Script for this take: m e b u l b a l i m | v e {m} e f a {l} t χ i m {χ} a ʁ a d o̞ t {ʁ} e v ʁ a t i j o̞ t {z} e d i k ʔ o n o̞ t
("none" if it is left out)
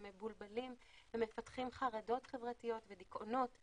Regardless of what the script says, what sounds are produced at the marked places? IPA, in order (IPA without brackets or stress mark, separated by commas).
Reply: m, none, χ, χ, v